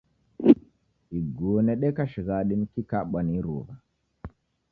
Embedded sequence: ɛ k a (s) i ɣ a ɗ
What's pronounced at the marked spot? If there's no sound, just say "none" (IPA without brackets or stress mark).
ʃ